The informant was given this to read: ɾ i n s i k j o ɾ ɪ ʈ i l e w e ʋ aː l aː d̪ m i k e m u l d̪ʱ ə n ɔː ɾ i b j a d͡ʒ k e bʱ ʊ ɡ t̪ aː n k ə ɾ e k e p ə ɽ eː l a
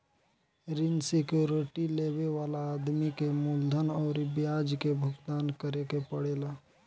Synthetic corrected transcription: ɾ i n s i k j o ɾ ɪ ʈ i l e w e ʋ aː l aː d̪ m i k e m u l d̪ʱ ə n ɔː ɾ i b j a d͡ʒ k e bʱ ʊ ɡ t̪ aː n k ə ɾ e k e p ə ɽ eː l a

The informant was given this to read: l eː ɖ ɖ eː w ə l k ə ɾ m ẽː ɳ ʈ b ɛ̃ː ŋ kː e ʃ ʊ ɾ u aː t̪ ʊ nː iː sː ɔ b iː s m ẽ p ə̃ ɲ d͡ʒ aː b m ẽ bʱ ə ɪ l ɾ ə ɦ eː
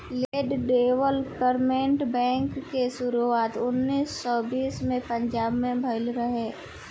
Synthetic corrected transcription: l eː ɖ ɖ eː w ə l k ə ɾ m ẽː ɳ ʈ b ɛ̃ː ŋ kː e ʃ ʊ ɾ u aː t̪ ʊ nː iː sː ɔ b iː s m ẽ p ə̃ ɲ d͡ʒ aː b m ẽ bʱ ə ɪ l ɾ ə ɦ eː

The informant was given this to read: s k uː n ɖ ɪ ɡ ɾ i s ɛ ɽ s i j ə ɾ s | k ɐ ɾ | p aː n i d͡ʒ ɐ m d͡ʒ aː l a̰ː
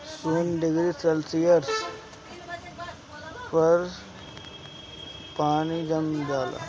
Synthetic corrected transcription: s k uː n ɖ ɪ ɡ ɾ i s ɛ l s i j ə ɾ s | p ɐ ɾ | p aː n i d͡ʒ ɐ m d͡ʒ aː l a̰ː

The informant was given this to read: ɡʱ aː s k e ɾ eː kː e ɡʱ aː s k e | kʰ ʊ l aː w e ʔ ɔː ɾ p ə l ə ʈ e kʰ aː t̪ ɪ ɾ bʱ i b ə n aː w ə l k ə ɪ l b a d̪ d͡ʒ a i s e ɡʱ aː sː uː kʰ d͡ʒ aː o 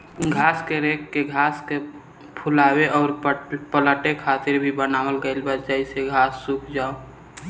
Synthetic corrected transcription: ɡʱ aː s k e ɾ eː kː e ɡʱ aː s k e | pʰ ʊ l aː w e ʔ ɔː ɾ p ə l ə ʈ e kʰ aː t̪ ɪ ɾ bʱ i b ə n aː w ə l ɡ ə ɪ l b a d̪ d͡ʒ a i s e ɡʱ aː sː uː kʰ d͡ʒ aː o

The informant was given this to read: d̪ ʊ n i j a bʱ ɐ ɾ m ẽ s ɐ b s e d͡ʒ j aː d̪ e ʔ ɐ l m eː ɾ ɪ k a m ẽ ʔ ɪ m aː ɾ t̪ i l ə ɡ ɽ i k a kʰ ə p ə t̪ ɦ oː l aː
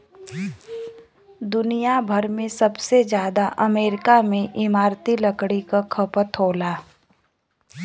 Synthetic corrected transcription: d̪ ʊ n i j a bʱ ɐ ɾ m ẽ s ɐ b s e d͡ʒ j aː d̪ a ʔ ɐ m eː ɾ ɪ k a m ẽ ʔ ɪ m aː ɾ t̪ i l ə k ɽ i k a kʰ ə p ə t̪ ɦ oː l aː

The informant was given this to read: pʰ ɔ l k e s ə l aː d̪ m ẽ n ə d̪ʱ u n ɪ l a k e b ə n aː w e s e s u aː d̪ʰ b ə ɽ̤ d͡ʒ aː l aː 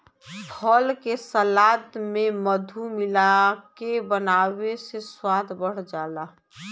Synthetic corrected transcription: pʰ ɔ l k e s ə l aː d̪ m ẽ m ə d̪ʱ u m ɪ l a k e b ə n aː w e s e s w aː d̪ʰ b ə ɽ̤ d͡ʒ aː l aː

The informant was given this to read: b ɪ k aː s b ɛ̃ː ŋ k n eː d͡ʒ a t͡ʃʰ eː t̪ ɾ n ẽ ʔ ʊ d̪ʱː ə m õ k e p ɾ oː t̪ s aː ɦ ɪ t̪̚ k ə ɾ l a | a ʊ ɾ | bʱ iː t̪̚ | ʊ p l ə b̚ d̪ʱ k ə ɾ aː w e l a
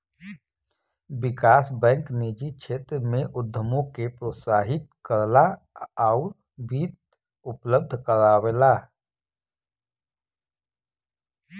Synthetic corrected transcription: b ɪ k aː s b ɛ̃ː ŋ k n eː d͡ʒ i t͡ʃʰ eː t̪ ɾ m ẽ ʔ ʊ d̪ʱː ə m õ k e p ɾ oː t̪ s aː ɦ ɪ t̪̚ k ə ɾ l a | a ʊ ɾ | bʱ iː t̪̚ | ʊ p l ə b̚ d̪ʱ k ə ɾ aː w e l a

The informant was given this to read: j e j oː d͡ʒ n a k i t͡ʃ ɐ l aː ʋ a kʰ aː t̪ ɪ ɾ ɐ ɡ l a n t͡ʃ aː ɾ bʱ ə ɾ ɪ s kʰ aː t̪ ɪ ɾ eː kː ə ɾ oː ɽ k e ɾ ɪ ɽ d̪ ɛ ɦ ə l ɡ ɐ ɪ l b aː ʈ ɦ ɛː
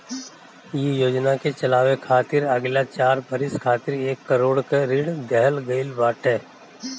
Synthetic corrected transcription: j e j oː d͡ʒ n a k e t͡ʃ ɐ l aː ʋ e kʰ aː t̪ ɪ ɾ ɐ ɡ l a t͡ʃ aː ɾ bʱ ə ɾ ɪ s kʰ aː t̪ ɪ ɾ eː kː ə ɾ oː ɽ k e ɾ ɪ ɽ d̪ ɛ ɦ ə l ɡ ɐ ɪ l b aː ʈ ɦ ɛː

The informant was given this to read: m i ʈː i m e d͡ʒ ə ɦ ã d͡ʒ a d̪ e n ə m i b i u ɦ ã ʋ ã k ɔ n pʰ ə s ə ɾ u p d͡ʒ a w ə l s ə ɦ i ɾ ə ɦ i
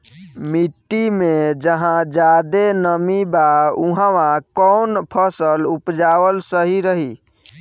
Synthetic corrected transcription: m i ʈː i m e d͡ʒ ə ɦ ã d͡ʒ a d̪ e n ə m i b a u ɦ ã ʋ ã k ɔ n pʰ ə s ə l u p d͡ʒ a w ə l s ə ɦ i ɾ ə ɦ i

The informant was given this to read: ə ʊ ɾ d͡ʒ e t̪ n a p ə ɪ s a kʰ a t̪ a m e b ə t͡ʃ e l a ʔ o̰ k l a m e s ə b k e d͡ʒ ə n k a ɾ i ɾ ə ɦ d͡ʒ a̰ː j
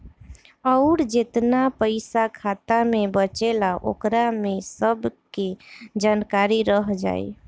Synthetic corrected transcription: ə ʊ ɾ d͡ʒ e t̪ n a p ə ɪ s a kʰ a t̪ a m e b ə t͡ʃ e l a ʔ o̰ k ɾ a m e s ə b k e d͡ʒ a n k a ɾ i ɾ ə ɦ d͡ʒ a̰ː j

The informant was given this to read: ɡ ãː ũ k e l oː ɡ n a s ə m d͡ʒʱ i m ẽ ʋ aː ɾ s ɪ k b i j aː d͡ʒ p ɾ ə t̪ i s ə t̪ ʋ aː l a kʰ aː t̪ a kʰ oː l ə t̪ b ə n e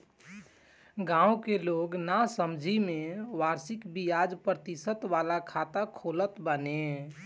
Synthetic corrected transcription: ɡ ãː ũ k e l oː ɡ n a s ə m d͡ʒʱ i m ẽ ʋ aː ɾ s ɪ k b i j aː d͡ʒ p ɾ ə t̪ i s ə t̪ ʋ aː l a kʰ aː t̪ a kʰ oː l ə t̪ b ə n e

